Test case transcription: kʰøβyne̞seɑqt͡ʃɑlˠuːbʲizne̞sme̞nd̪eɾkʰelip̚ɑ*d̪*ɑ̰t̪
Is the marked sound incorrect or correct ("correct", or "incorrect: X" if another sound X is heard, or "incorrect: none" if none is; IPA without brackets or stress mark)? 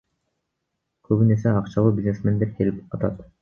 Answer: incorrect: t̪